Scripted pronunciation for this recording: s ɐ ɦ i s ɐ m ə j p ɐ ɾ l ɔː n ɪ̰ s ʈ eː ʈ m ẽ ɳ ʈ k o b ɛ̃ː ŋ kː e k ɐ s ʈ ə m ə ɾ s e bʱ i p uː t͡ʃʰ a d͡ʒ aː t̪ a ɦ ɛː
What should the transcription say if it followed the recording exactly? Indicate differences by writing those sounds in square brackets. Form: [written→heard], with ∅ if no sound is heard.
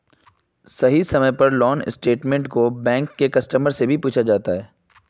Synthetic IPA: s ɐ ɦ i s ɐ m ə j p ɐ ɾ l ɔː n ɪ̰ s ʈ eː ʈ m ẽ ɳ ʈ k o b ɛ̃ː ŋ kː e k ɐ s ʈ ə m ə ɾ s e bʱ i p uː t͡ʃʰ a d͡ʒ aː t̪ a ɦ ɛː